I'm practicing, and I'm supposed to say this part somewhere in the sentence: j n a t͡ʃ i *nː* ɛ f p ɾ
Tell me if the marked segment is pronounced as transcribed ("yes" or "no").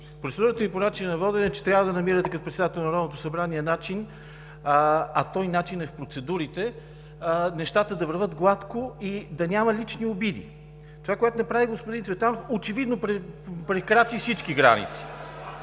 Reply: no